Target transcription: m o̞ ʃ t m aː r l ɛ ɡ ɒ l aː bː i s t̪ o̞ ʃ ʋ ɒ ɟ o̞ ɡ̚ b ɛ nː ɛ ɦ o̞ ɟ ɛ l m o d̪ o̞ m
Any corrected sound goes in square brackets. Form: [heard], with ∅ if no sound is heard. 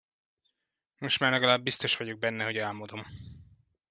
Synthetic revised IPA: m o̞ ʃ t m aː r l ɛ ɡ ɒ l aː bː i s t̪ o̞ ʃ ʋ ɒ ɟ o̞ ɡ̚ b ɛ nː ɛ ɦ o̞ ɟ ɛ l m o d̪ o̞ m